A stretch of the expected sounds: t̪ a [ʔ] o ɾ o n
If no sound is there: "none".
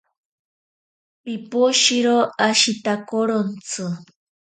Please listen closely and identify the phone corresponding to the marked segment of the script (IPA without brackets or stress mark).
k